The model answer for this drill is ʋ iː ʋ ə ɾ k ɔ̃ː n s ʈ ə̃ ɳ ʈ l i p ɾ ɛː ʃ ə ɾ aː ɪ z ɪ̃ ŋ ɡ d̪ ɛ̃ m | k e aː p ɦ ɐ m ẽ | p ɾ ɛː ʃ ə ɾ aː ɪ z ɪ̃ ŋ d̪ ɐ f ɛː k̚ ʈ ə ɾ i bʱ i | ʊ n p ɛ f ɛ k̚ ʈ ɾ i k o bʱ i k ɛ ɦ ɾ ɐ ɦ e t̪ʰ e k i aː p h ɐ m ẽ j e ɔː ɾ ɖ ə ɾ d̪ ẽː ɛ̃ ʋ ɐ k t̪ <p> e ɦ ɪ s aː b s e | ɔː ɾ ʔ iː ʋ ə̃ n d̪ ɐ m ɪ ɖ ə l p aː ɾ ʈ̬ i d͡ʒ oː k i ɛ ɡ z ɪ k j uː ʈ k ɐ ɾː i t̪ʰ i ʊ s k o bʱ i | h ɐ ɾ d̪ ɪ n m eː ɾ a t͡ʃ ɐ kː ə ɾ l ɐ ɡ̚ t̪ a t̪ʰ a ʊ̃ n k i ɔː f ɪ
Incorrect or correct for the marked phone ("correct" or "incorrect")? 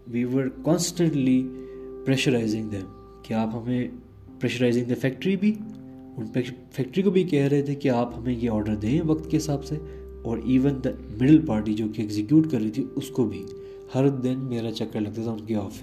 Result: incorrect